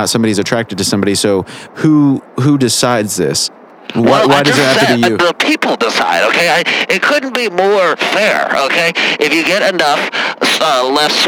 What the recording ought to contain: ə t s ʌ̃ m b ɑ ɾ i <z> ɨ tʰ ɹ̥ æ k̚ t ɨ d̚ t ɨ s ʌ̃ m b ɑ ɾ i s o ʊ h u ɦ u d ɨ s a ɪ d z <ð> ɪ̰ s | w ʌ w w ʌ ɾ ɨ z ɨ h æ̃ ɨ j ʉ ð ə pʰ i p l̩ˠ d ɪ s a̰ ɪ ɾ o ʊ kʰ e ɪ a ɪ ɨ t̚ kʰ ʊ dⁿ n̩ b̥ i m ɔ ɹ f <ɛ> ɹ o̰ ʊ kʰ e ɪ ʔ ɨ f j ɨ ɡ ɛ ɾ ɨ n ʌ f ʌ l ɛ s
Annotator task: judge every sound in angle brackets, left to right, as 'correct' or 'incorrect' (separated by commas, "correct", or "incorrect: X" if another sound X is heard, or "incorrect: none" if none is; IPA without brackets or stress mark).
correct, correct, correct